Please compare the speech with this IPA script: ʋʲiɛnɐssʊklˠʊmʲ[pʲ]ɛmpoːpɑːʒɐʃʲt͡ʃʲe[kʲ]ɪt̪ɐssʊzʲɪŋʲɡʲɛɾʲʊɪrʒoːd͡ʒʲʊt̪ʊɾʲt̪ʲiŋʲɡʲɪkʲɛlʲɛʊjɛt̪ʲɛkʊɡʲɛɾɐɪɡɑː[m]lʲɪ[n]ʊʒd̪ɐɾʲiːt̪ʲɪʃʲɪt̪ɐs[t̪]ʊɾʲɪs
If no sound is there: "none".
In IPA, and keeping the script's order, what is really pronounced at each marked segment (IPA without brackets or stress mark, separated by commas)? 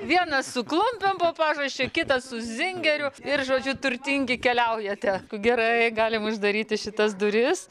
pʲ, kʲ, none, m, d̪